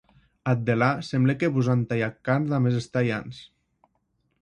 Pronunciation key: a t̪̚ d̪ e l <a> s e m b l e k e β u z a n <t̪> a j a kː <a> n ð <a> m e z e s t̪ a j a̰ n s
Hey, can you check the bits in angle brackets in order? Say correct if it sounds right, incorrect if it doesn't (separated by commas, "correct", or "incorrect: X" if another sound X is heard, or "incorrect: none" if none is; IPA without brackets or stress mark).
correct, correct, correct, correct